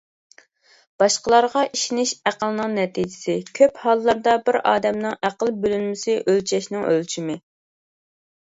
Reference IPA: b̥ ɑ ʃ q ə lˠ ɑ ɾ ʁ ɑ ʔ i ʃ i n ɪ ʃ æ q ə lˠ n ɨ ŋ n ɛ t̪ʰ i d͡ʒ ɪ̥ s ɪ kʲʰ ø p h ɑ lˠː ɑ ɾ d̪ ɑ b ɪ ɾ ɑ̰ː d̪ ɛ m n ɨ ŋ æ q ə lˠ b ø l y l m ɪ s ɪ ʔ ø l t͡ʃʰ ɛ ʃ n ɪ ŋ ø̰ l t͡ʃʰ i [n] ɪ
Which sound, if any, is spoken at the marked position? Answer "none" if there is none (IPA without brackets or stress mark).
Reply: m